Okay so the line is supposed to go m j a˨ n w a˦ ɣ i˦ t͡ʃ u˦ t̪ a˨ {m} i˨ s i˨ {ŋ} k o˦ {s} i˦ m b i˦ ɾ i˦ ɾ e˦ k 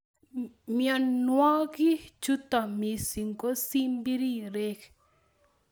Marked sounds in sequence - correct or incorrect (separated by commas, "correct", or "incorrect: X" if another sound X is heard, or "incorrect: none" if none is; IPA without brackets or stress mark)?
correct, correct, correct